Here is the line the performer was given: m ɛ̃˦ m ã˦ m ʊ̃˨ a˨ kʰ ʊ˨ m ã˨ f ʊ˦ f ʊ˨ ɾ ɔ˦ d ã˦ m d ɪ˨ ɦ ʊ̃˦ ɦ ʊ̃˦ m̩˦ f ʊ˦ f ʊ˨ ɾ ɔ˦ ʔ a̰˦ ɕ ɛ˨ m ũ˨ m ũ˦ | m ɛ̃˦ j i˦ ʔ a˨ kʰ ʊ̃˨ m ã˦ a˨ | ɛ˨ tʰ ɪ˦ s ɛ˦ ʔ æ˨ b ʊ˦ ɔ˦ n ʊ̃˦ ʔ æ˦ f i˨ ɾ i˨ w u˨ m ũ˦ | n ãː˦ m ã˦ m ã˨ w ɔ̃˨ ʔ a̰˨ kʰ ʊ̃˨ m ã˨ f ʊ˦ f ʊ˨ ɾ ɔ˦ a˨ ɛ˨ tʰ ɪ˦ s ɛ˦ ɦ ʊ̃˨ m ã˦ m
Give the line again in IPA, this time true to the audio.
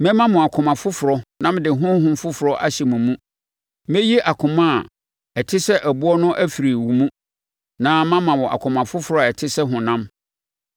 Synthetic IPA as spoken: m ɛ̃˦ m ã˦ m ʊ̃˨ a˨ kʰ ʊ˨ m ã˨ f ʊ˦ f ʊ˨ ɾ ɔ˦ n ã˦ m d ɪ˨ ɦ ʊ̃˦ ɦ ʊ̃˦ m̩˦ f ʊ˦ f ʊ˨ ɾ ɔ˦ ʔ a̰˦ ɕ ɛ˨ m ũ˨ m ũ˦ | m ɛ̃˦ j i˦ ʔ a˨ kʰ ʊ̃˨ m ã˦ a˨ | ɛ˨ tʰ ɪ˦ s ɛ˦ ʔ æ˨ b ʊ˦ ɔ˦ n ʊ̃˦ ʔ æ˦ f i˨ ɾ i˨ w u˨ m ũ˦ | n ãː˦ m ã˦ m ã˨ w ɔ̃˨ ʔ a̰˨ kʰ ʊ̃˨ m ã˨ f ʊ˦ f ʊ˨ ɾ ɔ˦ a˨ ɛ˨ tʰ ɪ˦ s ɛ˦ ɦ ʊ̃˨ n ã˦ m